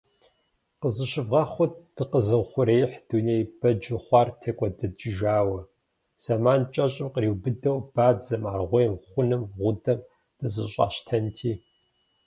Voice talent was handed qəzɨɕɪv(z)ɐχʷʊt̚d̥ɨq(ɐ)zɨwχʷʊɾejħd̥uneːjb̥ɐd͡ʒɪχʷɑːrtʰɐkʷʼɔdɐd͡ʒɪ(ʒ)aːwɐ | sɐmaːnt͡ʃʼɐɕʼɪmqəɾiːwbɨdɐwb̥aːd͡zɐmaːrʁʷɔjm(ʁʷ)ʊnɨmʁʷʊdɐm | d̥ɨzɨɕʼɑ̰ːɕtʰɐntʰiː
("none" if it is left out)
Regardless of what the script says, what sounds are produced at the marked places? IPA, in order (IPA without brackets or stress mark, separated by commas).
ʁ, ə, ʒ, χʷ